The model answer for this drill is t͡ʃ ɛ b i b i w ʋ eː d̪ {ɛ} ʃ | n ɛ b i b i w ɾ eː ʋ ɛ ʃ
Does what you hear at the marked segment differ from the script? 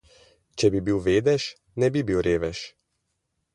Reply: no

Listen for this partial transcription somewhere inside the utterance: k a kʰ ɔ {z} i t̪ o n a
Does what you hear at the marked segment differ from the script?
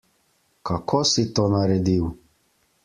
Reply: yes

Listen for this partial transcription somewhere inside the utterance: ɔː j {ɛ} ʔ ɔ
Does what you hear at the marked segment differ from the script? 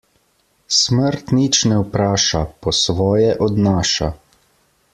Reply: no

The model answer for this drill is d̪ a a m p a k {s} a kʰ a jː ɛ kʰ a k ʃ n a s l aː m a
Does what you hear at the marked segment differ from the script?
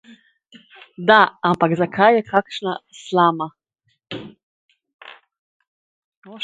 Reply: yes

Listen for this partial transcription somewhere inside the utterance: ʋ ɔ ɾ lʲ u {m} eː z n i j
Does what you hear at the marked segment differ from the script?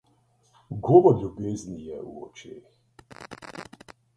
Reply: yes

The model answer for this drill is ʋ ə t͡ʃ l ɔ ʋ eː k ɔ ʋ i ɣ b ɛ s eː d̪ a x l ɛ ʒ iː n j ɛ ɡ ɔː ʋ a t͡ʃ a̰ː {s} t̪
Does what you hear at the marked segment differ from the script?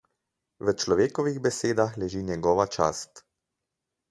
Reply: no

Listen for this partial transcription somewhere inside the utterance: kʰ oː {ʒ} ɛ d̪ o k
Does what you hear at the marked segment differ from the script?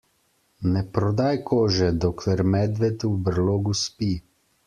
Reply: no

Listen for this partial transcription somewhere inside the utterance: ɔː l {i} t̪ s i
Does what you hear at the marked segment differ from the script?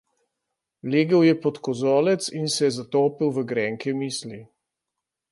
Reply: yes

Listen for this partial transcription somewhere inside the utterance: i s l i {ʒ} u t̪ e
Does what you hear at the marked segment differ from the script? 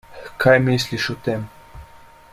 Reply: yes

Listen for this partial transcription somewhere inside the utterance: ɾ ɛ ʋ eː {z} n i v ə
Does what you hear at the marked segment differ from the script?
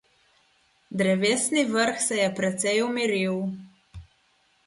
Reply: yes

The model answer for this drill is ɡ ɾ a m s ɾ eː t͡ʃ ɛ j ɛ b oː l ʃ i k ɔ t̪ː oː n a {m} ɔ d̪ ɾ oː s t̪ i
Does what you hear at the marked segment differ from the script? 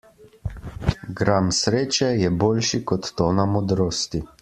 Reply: no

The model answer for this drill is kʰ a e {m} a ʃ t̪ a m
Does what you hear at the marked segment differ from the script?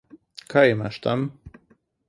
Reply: no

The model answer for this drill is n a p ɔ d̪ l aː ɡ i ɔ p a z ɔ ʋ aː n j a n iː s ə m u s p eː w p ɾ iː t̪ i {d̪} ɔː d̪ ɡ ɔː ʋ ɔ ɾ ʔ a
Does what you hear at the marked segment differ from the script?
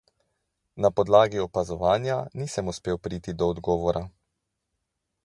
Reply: no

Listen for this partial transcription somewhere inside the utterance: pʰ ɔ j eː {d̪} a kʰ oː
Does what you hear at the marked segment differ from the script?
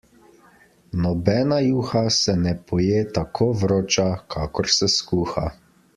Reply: yes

